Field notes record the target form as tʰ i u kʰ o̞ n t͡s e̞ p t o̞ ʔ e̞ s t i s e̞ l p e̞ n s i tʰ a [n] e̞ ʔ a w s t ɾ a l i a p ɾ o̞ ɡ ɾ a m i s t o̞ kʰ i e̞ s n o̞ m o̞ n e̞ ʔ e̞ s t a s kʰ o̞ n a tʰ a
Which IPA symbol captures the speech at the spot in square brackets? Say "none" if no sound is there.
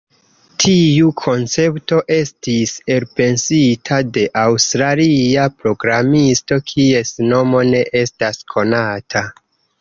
d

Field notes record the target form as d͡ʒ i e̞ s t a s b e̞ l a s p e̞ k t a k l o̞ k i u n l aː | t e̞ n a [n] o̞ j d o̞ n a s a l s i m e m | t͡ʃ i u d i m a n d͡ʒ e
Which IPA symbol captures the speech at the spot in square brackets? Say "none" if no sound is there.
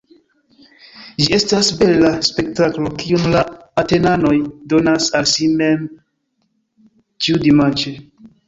n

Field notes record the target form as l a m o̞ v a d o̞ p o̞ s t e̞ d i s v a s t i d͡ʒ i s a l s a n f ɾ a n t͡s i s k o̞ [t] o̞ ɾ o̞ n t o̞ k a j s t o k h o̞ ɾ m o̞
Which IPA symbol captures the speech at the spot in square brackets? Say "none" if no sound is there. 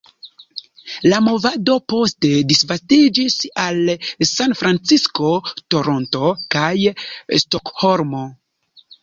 t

